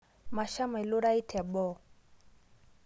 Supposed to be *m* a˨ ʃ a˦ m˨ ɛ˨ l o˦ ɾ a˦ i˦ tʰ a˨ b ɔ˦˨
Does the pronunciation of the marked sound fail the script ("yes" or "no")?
no